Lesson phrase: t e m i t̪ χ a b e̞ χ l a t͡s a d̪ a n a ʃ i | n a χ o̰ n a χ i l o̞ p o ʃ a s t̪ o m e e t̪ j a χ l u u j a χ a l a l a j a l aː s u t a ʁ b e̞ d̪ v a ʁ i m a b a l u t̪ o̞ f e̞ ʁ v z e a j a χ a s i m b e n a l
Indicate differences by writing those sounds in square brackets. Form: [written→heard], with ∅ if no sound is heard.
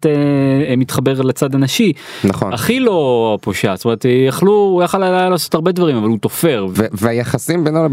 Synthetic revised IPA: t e m i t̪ χ a b e̞ [χ→ʁ] l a t͡s a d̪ a n a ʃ i | n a χ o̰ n a χ i l o̞ p o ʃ a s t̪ o m e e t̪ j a χ l u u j a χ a l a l a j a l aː s [u→o] t a ʁ b e̞ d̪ v a ʁ i m a [b→v] a l u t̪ o̞ f e̞ ʁ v [z→v] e a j a χ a s i m b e n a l